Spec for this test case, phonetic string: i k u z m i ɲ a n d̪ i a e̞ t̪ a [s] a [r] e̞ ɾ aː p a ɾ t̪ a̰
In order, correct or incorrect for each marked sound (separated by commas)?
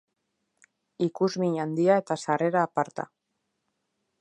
correct, correct